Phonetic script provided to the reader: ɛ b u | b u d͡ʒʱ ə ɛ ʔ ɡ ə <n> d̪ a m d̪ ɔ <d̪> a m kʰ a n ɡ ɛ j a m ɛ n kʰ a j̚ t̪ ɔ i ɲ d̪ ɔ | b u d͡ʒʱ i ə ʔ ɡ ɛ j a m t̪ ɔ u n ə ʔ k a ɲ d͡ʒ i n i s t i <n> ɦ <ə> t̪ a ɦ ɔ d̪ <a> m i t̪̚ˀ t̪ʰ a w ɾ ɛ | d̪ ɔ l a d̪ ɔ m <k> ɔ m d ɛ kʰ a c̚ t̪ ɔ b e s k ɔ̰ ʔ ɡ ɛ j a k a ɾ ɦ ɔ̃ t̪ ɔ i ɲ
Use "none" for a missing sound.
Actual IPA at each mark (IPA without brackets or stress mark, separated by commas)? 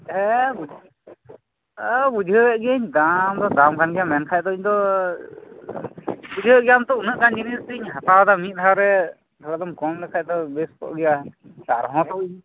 ɲ, d̪, ɲ, a, a, k